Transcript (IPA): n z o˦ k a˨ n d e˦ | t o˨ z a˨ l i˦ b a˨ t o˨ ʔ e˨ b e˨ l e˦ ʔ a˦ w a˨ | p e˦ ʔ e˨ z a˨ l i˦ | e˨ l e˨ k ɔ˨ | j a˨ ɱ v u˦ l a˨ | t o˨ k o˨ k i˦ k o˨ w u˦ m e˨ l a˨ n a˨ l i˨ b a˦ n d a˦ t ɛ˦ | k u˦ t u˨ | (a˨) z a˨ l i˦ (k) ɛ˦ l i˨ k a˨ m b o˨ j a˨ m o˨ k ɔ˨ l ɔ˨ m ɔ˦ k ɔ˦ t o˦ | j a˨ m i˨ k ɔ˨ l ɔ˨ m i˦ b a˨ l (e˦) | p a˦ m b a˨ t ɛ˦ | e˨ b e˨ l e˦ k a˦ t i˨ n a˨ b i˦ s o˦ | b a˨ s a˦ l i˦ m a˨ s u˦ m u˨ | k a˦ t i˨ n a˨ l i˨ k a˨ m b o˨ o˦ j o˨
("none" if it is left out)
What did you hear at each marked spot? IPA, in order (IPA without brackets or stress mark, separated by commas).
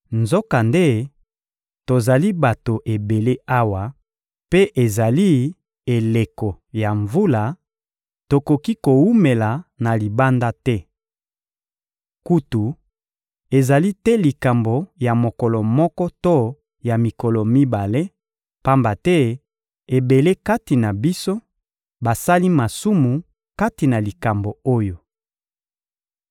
e˨, t, e˦